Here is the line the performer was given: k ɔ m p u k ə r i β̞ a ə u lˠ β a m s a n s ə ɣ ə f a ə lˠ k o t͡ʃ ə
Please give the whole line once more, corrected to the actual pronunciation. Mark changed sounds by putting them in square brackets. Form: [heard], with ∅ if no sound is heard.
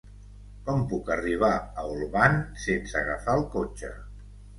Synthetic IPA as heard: k ɔ m p u k ə r i β̞ a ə u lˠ β a [n] s [e] n s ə ɣ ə f a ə lˠ k o t͡ʃ ə